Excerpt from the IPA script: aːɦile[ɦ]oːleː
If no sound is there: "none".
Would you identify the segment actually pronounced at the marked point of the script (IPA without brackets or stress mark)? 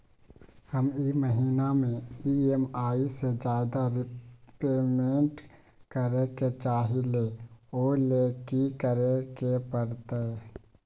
none